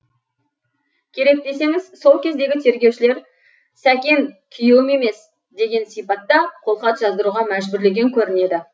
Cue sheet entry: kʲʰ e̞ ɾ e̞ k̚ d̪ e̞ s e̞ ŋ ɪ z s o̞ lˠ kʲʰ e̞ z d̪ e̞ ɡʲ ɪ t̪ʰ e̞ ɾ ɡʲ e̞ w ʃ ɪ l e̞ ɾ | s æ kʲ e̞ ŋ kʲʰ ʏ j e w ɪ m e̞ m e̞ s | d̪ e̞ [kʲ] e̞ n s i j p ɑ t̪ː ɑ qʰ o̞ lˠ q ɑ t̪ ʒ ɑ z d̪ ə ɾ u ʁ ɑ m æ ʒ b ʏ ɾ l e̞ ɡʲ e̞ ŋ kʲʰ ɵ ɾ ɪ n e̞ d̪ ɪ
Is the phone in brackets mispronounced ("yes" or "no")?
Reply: yes